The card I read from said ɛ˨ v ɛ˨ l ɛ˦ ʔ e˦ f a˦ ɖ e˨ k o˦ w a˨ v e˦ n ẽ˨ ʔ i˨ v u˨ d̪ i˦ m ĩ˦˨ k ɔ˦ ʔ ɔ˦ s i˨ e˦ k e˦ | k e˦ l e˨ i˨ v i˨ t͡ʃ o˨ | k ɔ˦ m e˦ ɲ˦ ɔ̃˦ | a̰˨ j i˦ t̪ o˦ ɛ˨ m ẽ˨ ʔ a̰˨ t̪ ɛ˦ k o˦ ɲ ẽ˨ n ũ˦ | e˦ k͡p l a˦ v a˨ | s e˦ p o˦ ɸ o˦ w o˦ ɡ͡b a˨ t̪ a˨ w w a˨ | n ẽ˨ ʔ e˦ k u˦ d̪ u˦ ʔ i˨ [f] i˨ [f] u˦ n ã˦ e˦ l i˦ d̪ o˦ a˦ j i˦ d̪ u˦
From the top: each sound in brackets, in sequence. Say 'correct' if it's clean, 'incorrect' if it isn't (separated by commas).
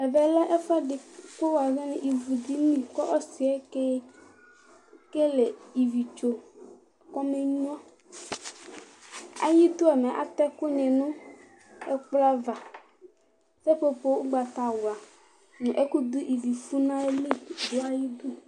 incorrect, correct